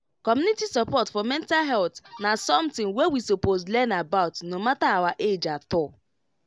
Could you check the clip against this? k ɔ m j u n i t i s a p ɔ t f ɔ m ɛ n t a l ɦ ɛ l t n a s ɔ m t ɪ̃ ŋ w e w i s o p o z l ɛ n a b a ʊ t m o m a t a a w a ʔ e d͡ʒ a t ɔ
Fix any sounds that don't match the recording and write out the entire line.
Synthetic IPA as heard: k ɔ m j u n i t i s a p ɔ t f ɔ m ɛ n t a l ɦ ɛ l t n a s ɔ m t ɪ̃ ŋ w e w i s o p o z l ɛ n a b a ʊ t n o m a t a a w a ʔ e d͡ʒ a t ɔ